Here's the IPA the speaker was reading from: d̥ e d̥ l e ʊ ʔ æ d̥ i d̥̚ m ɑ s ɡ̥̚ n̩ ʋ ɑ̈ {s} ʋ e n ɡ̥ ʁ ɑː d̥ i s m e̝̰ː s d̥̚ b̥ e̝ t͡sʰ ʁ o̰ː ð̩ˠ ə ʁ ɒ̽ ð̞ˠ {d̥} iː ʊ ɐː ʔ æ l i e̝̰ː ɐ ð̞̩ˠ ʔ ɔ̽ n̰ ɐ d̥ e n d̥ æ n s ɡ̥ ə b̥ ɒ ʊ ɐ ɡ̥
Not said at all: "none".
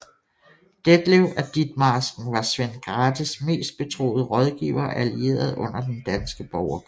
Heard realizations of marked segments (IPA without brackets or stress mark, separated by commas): s, ɡ̥